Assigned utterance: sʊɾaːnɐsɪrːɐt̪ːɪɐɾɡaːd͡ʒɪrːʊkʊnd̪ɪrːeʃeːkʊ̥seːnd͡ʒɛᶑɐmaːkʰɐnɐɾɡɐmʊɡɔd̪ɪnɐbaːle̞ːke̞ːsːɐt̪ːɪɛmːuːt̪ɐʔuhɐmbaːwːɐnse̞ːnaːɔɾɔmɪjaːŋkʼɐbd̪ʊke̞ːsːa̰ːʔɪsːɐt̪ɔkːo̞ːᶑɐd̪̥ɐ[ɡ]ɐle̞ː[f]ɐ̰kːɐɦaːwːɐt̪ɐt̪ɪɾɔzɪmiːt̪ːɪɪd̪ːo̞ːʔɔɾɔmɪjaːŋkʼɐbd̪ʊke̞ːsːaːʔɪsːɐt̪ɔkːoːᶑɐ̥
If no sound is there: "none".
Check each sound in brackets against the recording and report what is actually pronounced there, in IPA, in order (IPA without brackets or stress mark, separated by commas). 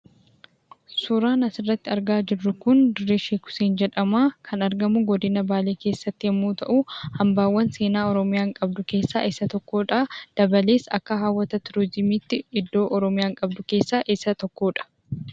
b, s